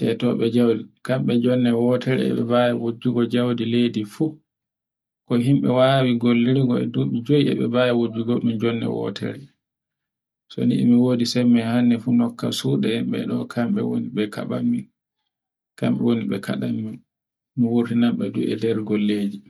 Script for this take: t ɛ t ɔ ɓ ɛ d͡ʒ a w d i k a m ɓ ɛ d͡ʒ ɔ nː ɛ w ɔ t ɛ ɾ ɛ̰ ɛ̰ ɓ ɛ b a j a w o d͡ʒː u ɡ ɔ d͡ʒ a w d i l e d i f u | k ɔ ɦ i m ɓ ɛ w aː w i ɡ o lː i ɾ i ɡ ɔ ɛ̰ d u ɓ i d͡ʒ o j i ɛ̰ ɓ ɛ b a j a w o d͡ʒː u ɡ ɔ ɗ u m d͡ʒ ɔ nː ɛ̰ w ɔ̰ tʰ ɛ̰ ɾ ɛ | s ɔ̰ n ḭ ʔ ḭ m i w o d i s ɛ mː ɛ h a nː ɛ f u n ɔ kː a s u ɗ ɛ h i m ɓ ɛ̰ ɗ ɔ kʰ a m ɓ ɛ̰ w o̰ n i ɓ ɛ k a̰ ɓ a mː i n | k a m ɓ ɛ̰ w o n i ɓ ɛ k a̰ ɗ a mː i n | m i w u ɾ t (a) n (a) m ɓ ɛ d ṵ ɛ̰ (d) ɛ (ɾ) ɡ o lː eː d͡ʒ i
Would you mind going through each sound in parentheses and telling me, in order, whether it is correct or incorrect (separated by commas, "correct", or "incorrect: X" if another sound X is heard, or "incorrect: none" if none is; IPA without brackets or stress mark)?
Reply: incorrect: i, correct, correct, correct